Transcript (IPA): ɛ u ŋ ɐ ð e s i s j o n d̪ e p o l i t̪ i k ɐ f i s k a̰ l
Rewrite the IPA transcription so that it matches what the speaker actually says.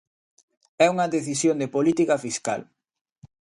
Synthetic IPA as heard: ɛ u ŋ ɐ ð e θ i s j o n d̪ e p o l i t̪ i k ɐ f i s k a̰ l

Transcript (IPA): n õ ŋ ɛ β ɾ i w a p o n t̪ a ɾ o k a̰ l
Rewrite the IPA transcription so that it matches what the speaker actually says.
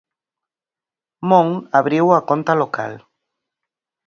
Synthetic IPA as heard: m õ ŋ a β ɾ i w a k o n t̪ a l o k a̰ l

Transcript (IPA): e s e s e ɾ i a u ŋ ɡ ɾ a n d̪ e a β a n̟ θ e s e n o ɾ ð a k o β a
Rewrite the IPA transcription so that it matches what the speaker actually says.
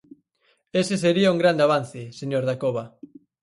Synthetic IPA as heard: e s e s e ɾ i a u ŋ ɡ ɾ a n d̪ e a β a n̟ θ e s e ɲ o ɾ ð a k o β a

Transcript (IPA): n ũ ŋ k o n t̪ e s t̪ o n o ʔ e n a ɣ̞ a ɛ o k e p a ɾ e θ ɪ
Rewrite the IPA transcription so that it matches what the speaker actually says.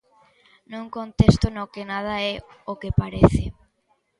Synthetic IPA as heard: n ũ ŋ k o n t̪ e s t̪ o n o k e n a ð̞ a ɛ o k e p a ɾ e θ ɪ

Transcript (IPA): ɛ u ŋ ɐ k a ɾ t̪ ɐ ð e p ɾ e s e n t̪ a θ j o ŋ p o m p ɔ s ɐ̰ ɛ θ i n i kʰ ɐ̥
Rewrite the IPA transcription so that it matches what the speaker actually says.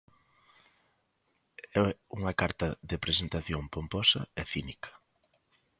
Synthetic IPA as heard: ɛ u ŋ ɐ k a ɾ t̪ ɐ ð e p ɾ e s e n t̪ a θ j o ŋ p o m p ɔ s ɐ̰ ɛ θ i n i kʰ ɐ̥

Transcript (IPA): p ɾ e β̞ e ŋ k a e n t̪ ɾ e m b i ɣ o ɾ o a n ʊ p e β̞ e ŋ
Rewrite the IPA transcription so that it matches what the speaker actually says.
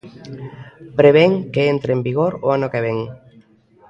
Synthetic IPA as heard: p ɾ e β̞ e ŋ k e e n t̪ ɾ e m b i ɣ o ɾ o a n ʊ k e β̞ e ŋ

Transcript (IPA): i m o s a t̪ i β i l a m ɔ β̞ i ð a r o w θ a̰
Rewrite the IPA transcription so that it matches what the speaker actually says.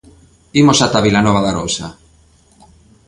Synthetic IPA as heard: i m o s a t̪ a β i l a n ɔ β̞ a ð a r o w s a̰

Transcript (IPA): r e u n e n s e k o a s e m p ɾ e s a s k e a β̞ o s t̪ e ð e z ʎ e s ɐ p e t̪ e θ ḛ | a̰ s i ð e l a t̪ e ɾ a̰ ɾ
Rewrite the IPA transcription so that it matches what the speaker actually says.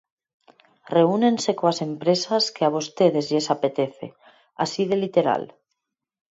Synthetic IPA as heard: r e u n e n s e k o a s e m p ɾ e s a s k e a β̞ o s t̪ e ð e z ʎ e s a p e t̪ e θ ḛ | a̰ s i ð e l i t̪ e ɾ a̰ l

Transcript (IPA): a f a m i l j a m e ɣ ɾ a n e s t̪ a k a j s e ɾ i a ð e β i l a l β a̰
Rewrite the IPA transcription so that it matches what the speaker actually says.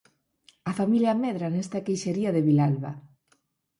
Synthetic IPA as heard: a f a m i l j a m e ð ɾ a n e s t̪ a k e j ʃ e ɾ i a ð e β i l a l β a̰

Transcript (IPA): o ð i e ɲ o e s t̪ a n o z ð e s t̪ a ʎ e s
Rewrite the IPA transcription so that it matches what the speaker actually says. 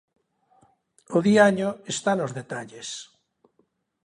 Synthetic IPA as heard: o ð i a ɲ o e s t̪ a n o z ð e t̪ a ʎ e s

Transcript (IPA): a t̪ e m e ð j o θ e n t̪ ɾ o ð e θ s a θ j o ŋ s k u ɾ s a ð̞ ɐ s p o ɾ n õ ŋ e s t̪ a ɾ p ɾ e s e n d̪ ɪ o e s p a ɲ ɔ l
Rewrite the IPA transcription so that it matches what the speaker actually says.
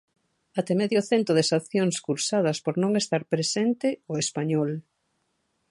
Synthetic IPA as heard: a t̪ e m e ð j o θ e n t̪ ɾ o ð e s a θ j o ŋ s k u ɾ s a ð̞ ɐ s p o ɾ n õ ŋ e s t̪ a ɾ p ɾ e s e n t̪ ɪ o e s p a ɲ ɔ l

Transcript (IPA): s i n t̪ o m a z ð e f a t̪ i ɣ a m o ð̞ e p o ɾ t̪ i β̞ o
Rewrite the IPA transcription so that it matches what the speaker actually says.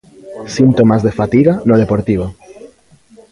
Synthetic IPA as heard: s i n t̪ o m a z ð e f a t̪ i ɣ a n o ð̞ e p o ɾ t̪ i β̞ o

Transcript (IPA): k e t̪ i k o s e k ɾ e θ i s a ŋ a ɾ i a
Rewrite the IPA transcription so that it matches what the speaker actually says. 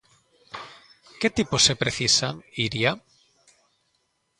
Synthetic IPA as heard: k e t̪ i p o s e p ɾ e θ i s a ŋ i ɾ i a

